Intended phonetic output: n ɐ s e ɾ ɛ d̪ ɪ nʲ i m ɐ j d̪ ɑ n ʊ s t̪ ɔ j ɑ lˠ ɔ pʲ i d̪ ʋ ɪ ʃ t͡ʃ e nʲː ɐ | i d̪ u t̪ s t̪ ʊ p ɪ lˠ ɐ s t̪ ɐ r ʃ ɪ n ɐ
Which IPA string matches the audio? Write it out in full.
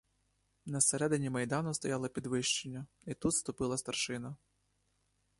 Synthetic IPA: n ɐ s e ɾ ɛ d̪ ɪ nʲ i m ɐ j d̪ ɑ n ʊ s t̪ ɔ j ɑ lˠ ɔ pʲ i d̪ ʋ ɪ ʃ t͡ʃ e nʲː ɐ | i t̪ u t̪ s t̪ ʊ p ɪ lˠ ɐ s t̪ ɐ r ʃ ɪ n ɐ